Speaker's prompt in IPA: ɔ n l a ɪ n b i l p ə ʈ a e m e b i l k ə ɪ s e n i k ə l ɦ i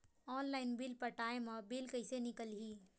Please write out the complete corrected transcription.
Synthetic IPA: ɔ n l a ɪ n b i l p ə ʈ a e m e b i l k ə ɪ s e n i k ə l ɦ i